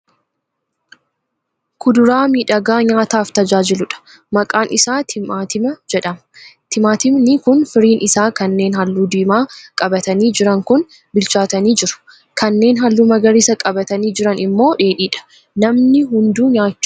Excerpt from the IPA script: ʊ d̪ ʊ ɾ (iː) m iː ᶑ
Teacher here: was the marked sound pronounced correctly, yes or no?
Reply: no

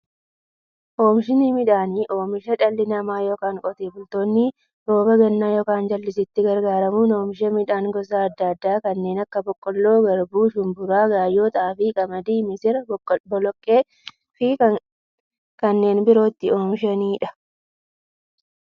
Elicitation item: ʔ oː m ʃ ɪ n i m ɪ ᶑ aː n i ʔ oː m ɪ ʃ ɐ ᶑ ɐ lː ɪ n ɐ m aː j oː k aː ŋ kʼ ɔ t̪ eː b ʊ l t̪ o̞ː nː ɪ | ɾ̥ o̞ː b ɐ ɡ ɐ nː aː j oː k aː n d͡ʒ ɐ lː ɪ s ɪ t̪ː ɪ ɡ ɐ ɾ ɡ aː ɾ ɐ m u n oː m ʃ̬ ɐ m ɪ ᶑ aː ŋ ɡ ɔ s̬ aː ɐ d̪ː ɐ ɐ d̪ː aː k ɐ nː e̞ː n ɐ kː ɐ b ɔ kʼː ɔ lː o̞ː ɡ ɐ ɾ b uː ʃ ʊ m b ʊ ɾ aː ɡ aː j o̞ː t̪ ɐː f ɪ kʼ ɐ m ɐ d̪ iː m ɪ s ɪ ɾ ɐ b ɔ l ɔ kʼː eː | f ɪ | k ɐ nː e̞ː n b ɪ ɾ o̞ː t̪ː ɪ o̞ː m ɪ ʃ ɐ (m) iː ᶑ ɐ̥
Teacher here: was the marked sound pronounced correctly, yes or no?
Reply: no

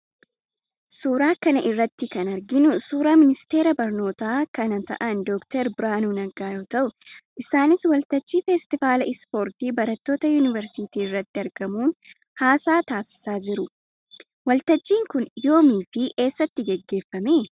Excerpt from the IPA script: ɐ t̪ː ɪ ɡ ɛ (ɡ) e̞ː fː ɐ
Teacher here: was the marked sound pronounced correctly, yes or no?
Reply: no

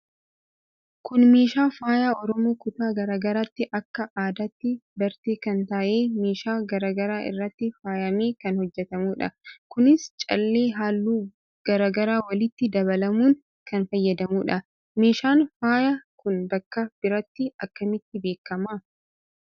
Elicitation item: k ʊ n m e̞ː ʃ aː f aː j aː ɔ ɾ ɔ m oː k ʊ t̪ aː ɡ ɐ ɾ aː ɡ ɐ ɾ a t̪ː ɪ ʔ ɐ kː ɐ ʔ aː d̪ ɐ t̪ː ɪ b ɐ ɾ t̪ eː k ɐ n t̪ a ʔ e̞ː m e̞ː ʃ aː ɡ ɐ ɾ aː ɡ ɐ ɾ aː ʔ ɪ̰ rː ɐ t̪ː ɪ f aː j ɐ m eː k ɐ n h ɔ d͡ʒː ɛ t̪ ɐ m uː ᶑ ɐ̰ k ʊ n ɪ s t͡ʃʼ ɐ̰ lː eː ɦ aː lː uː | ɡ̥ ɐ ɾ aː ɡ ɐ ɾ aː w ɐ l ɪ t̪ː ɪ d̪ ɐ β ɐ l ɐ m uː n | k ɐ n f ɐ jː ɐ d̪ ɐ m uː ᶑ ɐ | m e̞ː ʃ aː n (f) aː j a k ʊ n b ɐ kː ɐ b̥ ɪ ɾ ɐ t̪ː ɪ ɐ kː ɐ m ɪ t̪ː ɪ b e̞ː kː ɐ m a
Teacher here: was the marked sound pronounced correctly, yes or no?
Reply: yes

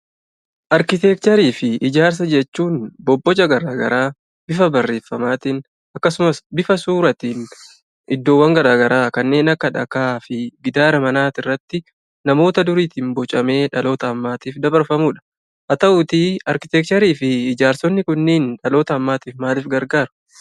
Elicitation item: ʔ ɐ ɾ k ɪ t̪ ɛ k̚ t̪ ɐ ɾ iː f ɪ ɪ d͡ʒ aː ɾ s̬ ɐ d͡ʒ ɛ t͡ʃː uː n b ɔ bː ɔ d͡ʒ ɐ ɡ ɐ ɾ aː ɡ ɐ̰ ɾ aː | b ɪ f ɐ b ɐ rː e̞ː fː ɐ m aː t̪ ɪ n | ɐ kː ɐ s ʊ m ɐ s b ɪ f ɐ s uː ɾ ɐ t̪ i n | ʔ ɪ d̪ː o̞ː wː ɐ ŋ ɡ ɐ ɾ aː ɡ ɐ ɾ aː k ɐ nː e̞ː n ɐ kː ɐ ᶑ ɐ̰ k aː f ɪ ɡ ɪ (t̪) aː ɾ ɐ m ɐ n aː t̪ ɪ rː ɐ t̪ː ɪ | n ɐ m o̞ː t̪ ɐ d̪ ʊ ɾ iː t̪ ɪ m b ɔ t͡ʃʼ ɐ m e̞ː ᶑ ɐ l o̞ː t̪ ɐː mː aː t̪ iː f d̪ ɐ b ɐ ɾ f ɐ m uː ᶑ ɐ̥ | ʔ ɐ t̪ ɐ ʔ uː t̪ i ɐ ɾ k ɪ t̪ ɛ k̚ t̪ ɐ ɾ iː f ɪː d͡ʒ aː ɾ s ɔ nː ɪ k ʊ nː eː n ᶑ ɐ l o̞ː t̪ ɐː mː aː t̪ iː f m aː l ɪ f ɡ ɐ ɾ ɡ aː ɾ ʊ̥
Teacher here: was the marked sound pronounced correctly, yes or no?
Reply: no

